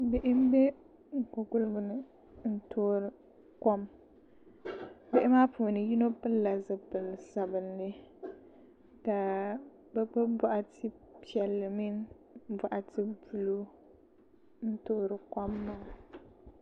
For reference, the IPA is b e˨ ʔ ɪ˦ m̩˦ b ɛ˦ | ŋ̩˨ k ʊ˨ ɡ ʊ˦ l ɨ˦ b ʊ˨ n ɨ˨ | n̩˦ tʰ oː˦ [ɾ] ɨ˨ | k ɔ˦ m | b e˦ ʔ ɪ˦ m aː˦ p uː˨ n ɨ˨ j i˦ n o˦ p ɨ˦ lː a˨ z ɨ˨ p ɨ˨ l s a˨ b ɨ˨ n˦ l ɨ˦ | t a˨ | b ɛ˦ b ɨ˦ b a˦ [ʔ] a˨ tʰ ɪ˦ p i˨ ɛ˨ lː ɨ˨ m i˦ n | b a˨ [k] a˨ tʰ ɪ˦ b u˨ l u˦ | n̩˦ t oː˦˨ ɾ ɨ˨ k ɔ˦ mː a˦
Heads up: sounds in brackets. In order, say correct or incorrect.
correct, correct, incorrect: ʔ

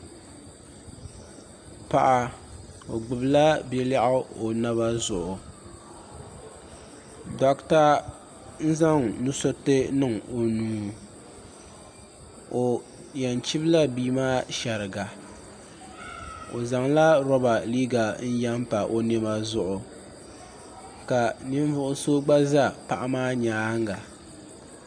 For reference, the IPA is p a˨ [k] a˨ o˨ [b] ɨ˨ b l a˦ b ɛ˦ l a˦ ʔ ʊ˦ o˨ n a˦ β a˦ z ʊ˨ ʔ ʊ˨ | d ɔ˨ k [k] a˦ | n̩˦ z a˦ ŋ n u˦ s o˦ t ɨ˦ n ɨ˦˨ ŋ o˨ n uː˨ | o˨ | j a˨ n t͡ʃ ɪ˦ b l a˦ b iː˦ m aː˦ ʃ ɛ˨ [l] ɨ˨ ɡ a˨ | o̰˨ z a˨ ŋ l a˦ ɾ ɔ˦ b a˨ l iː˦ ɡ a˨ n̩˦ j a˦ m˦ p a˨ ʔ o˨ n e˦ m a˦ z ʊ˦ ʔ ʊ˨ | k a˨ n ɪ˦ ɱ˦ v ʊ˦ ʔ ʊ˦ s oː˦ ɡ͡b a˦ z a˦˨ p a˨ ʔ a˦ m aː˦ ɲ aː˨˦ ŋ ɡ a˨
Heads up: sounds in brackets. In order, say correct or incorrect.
incorrect: ʔ, incorrect: ɡ͡b, incorrect: t, incorrect: ɾ

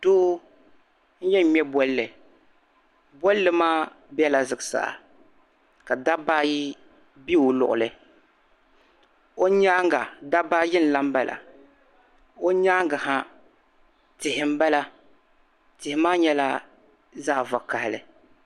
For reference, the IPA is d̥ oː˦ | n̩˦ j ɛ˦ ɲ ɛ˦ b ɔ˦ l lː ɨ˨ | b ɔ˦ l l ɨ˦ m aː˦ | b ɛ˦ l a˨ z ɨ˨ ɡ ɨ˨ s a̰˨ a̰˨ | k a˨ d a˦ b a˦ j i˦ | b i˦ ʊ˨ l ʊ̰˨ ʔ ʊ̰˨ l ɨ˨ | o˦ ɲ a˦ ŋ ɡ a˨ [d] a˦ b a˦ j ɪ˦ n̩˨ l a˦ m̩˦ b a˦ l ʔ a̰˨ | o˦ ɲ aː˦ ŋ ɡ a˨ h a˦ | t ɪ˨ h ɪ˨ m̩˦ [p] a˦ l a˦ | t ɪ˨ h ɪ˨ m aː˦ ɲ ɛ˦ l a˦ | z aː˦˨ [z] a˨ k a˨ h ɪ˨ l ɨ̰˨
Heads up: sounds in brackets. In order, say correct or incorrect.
correct, incorrect: b, incorrect: v

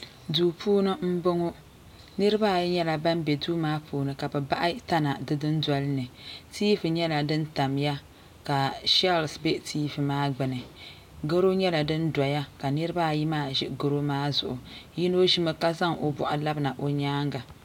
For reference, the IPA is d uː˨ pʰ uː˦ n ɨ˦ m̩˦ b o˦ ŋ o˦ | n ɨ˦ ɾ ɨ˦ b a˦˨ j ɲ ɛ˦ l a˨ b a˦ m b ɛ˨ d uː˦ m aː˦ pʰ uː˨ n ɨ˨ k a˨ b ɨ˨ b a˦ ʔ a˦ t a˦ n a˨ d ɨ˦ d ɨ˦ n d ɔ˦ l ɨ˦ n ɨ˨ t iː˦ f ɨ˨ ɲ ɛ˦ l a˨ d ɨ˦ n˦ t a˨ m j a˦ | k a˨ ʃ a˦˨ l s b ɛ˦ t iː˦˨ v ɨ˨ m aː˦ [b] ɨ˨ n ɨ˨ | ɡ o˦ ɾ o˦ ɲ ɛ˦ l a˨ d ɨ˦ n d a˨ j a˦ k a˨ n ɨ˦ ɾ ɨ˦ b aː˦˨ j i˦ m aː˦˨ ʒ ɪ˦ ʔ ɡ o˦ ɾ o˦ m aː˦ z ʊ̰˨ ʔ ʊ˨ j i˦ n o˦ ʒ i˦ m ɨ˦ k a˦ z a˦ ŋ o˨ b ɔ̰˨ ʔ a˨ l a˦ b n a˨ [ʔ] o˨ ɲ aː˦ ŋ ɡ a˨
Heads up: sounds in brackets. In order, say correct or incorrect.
incorrect: ɡ͡b, correct

